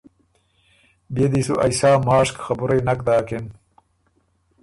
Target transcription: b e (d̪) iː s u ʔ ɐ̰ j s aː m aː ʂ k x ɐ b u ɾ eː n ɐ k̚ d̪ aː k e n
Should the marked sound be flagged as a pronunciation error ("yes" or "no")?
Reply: no